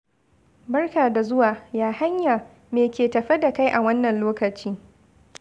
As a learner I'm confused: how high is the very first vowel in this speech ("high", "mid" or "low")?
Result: low